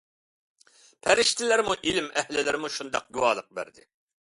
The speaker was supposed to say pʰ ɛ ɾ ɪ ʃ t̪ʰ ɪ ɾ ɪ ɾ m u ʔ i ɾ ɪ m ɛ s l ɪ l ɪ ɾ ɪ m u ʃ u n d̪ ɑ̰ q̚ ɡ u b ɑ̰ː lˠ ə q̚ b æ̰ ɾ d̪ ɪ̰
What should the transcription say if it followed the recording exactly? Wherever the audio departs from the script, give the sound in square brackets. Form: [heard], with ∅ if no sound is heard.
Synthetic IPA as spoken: pʰ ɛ ɾ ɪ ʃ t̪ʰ ɪ [l] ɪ ɾ m u ʔ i [l] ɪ m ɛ [h] l ɪ l ɪ ɾ ɪ m u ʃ u n d̪ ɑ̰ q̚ ɡ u [w] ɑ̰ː lˠ ə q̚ b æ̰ ɾ d̪ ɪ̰